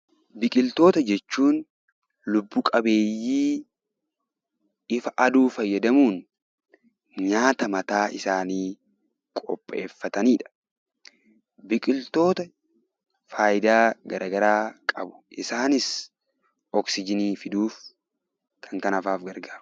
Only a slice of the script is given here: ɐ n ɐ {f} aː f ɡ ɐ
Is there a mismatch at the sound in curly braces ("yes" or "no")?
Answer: no